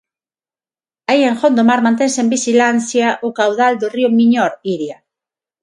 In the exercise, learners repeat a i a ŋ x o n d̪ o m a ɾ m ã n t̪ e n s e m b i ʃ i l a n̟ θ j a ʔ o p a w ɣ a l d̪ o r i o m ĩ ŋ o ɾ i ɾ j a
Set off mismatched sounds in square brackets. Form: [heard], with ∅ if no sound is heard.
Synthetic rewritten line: a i [e] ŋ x o n d̪ o m a ɾ m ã n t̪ e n s e m b i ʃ i l a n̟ θ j a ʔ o [k] a w [ð] a l d̪ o r i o m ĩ [ɲ] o ɾ i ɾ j a